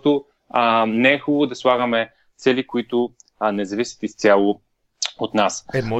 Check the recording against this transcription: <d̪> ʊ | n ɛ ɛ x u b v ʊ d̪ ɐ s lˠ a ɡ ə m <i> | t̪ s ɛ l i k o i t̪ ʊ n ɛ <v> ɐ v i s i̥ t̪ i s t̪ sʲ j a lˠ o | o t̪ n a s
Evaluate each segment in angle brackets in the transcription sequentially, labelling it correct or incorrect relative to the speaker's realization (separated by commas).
incorrect, incorrect, incorrect